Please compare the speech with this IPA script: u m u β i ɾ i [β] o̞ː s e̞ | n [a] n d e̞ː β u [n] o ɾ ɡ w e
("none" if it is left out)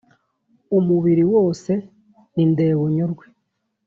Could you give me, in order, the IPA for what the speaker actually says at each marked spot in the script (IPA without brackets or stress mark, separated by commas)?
w, i, ɲ